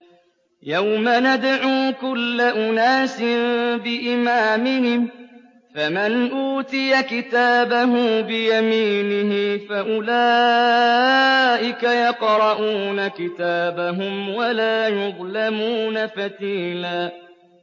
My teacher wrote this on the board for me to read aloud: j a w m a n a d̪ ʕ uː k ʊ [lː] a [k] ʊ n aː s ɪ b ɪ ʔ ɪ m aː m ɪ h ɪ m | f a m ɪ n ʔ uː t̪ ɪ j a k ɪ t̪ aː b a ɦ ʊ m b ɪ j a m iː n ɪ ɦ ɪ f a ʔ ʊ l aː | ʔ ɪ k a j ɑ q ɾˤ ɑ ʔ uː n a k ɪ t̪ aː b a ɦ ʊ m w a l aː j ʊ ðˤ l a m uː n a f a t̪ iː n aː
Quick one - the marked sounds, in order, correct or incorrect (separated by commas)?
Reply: correct, incorrect